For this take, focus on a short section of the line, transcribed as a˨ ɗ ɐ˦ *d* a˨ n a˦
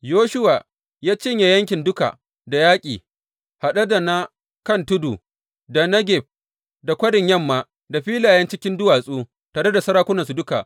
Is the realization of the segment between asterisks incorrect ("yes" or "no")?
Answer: no